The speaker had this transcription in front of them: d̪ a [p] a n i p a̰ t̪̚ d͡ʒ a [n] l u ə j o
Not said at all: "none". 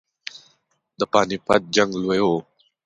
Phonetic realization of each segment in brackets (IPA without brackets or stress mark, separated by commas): p, ŋ